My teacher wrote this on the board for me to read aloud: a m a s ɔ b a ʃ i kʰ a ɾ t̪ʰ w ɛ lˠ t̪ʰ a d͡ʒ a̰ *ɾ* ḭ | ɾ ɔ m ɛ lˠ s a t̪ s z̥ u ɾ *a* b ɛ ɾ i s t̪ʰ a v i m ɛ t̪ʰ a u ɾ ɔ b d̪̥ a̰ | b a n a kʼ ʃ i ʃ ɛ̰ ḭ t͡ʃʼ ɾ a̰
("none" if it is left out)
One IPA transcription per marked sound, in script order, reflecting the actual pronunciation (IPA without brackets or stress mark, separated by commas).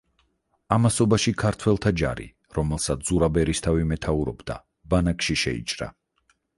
ɾ, a